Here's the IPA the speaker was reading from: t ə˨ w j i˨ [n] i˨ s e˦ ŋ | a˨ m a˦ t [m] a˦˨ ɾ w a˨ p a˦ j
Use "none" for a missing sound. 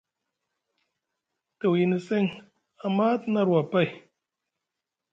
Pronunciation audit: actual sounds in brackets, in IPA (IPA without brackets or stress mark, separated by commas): n, n